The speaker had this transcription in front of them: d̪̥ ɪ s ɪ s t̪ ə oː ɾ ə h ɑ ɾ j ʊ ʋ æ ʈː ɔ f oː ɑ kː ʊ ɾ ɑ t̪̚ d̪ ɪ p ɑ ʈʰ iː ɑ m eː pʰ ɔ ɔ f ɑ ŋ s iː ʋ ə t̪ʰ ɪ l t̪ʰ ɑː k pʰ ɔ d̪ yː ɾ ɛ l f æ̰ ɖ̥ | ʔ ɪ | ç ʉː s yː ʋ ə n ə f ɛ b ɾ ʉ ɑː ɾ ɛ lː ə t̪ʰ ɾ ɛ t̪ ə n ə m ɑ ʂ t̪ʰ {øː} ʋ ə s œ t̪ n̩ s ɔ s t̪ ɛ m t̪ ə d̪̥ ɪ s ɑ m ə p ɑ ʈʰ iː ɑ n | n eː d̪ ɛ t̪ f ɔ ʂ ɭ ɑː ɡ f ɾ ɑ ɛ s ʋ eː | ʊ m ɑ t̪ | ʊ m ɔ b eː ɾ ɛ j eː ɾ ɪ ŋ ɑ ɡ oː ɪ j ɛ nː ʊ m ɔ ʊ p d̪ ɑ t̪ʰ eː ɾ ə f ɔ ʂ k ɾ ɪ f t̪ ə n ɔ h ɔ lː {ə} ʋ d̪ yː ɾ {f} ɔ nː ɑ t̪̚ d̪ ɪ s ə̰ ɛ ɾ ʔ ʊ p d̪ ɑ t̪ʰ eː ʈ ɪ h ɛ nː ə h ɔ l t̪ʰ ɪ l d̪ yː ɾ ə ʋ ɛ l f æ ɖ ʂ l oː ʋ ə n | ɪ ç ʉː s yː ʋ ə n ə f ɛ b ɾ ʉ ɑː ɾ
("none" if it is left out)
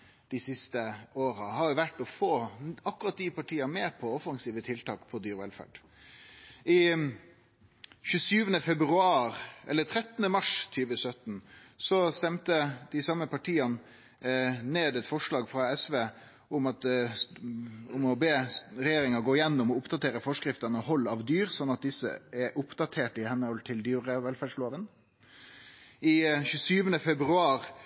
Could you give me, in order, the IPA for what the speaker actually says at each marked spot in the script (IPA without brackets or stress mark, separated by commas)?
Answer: yː, ɑ, s